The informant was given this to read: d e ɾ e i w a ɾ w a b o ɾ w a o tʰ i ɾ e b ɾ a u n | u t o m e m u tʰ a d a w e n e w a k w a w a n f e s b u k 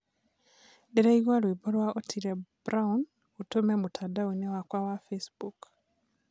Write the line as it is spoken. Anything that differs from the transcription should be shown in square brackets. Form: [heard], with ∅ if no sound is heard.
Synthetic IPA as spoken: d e ɾ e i w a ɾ w [i] b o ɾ w a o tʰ i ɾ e b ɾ a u n | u t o m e m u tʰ a d a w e n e w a k w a w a [∅] f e s b u k